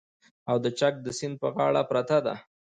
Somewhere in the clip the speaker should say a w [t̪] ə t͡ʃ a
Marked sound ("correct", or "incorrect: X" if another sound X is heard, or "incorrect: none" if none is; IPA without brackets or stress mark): incorrect: d̪